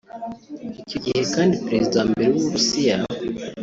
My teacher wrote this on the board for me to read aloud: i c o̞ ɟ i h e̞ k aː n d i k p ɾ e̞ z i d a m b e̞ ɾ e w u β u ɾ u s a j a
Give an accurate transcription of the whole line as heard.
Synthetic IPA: i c o̞ ɟ i h e̞ k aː n d i p ɾ e̞ z i d a m b e̞ ɾ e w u β u ɾ u s i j a